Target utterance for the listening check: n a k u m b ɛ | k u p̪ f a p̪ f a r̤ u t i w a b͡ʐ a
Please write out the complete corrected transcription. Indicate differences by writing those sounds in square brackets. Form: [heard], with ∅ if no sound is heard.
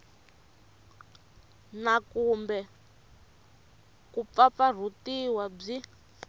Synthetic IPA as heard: n a k u m b ɛ | k u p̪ f a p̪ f a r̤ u t i w a b͡ʐ [i]

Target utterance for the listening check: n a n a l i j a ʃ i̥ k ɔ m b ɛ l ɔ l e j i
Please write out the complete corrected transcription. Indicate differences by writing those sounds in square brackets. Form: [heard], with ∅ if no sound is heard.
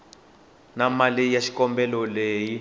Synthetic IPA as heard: n a [m] a l i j a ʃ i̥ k ɔ m b ɛ l ɔ l e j i

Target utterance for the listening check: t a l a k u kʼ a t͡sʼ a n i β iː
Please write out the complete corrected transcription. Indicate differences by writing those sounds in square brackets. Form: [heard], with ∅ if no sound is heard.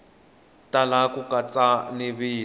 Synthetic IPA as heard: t a l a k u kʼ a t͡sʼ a n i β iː

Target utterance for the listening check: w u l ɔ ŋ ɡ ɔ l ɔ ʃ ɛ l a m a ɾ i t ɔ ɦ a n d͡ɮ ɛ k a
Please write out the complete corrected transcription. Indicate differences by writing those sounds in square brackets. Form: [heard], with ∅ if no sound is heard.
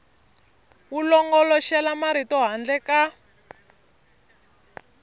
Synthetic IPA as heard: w u l ɔ ŋ ɡ ɔ l ɔ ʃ ɛ l a m a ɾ i t ɔ ɦ a n d͡ɮ ɛ k a

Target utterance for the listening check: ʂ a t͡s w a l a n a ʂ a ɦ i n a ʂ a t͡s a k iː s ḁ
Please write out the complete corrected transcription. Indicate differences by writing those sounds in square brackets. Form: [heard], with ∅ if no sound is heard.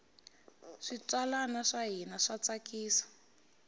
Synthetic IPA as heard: ʂ [i] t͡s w a l a n a ʂ a ɦ i n a ʂ a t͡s a k iː s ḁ

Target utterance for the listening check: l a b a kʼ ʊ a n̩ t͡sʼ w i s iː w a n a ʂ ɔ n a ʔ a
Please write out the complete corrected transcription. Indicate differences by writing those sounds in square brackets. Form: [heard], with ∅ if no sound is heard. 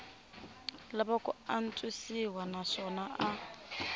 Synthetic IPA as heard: l a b a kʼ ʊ a n̩ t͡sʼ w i s [i] w a n a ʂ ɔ n a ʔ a

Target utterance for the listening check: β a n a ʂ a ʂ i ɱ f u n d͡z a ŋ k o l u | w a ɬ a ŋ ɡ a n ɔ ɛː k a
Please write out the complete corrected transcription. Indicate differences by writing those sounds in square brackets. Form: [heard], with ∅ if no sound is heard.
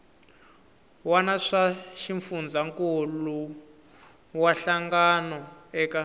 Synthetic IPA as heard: [w] a n a ʂ a [ʃ] i ɱ f u n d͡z a ŋ k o l u | w a ɬ a ŋ ɡ a n ɔ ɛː k a

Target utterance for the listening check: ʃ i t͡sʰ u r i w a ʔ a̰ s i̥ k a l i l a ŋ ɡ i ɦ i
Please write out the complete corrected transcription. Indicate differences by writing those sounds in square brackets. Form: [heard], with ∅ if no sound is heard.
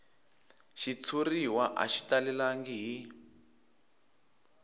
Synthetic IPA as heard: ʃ i t͡sʰ u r i w a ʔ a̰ [ʃ] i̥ [t] a l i l a ŋ ɡ i ɦ i

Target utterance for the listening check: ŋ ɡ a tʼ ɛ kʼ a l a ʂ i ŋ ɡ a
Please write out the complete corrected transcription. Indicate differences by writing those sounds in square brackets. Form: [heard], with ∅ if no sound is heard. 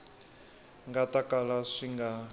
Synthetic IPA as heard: ŋ ɡ a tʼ [a] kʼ a l a ʂ i ŋ ɡ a

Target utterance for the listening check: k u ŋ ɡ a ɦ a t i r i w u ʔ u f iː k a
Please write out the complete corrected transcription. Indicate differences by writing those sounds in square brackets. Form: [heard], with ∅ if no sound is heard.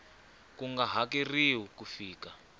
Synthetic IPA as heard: k u ŋ ɡ a ɦ a [k] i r i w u [k] u f iː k a

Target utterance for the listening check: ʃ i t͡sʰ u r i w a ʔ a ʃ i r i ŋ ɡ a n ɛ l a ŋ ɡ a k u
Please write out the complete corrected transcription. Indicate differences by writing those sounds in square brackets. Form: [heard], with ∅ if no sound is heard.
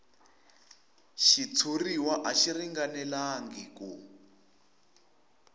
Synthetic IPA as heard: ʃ i t͡sʰ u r i w a ʔ a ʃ i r i ŋ ɡ a n ɛ l a ŋ ɡ [i] k u

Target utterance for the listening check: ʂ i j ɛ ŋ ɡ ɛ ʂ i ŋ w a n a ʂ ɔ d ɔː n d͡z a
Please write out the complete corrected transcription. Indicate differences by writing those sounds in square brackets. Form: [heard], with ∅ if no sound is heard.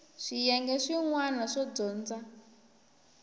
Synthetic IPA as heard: ʂ i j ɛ ŋ ɡ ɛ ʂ i ŋ w a n a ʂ ɔ [d͡z] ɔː n d͡z a

